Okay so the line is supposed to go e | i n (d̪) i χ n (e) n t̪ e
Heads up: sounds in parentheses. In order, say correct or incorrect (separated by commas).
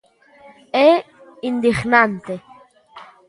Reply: correct, incorrect